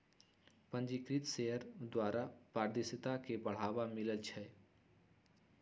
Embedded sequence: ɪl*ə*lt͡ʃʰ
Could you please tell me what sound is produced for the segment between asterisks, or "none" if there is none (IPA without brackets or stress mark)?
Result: ə